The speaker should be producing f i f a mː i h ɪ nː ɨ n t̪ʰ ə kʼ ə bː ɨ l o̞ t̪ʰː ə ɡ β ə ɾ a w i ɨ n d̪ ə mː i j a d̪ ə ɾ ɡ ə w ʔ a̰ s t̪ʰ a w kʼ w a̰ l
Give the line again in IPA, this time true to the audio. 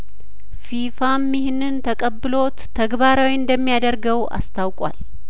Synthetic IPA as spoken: f i f a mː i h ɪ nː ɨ n t̪ʰ ə kʼ ə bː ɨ l o̞ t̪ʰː ə ɡ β a ɾ a w i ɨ n d̪ ə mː i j a d̪ ə ɾ ɡ ə w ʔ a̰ s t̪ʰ a w kʼ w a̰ l